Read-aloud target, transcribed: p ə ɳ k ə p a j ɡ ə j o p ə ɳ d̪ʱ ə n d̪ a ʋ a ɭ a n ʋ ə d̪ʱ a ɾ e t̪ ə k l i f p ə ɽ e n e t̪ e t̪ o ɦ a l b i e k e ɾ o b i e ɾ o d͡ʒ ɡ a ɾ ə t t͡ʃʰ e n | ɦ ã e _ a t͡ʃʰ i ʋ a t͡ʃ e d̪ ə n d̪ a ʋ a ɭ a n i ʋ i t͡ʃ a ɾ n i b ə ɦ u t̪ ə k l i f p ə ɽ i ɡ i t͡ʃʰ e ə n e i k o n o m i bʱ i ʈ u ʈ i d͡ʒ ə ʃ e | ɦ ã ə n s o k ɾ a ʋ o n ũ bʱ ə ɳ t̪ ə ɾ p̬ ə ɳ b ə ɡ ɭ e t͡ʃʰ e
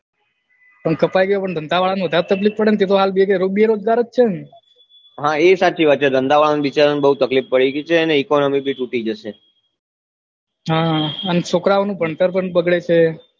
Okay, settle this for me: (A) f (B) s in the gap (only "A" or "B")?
B